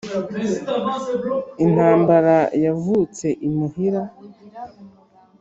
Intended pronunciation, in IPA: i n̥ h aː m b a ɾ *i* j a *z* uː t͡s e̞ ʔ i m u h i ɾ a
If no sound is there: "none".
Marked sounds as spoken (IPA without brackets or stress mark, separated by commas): a, v